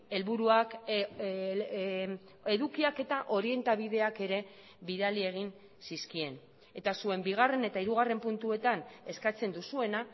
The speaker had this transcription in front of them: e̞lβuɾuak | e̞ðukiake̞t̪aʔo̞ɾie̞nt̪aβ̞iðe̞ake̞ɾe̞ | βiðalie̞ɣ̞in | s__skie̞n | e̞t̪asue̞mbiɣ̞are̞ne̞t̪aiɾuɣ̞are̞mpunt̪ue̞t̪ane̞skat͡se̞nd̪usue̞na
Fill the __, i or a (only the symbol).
i